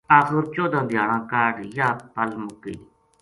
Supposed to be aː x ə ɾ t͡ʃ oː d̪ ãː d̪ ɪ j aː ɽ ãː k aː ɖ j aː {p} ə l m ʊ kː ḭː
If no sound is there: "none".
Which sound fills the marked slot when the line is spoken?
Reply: p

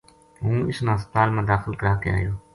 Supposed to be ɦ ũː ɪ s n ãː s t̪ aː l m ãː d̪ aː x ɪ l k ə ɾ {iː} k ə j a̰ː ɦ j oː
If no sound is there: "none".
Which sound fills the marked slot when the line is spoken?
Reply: aː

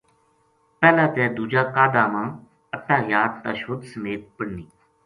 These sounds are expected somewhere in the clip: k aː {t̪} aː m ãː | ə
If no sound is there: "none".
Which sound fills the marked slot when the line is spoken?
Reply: d̪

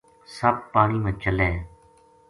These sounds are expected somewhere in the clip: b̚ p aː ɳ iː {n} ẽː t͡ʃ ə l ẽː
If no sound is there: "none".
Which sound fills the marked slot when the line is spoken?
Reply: m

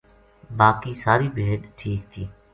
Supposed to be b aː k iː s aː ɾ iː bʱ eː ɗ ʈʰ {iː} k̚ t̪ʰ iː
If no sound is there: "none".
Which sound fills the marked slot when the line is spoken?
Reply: iː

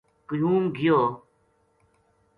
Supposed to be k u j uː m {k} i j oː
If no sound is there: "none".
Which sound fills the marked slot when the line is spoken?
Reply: ɡ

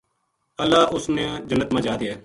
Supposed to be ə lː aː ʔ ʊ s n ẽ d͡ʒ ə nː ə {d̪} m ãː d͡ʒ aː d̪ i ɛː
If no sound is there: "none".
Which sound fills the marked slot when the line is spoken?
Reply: t̪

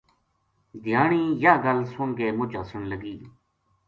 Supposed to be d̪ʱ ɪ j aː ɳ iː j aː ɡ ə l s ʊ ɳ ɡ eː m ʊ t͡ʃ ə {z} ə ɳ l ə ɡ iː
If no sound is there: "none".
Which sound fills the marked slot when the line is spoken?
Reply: s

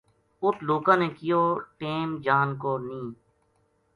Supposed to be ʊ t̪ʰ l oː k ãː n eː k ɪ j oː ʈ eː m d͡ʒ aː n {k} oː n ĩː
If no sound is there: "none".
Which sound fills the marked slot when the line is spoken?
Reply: k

